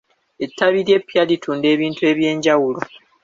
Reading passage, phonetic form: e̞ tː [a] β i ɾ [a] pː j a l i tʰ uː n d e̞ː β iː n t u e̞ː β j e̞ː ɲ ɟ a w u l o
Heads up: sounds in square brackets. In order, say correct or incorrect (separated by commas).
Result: correct, incorrect